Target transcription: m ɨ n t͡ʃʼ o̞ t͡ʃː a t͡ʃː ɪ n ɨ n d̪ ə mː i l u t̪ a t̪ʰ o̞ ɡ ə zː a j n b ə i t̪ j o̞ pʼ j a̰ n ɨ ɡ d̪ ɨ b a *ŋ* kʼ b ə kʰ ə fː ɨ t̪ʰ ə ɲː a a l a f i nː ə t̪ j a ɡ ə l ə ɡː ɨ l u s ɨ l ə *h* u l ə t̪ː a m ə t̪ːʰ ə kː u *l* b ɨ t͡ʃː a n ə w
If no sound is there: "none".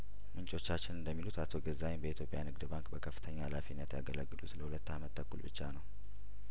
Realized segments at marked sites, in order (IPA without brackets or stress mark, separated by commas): ŋ, h, l